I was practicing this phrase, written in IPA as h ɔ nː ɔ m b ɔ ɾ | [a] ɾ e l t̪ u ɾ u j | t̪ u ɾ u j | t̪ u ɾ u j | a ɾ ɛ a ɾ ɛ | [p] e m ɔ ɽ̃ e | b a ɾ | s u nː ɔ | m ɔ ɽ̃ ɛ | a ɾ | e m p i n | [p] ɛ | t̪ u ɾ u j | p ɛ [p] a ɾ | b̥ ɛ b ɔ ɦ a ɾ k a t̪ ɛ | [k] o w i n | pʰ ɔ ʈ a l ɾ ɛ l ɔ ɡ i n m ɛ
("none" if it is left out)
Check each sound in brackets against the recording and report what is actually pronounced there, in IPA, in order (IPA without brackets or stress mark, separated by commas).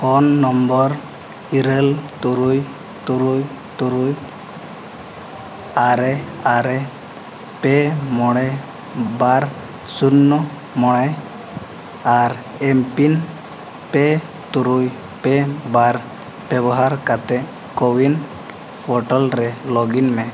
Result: i, p, p, b, k